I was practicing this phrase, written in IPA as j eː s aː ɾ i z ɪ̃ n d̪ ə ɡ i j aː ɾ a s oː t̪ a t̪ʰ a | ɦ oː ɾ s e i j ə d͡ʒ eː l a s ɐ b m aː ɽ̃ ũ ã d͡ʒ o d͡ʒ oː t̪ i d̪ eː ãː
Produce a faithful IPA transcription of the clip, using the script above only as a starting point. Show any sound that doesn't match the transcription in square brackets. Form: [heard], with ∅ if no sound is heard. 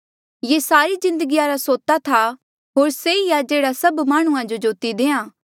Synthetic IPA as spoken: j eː s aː ɾ i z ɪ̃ n d̪ ə ɡ i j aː ɾ a s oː t̪ a t̪ʰ a | ɦ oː ɾ s e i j [a] d͡ʒ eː [ɽ] a s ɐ b m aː ɽ̃ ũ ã d͡ʒ o d͡ʒ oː t̪ i d̪ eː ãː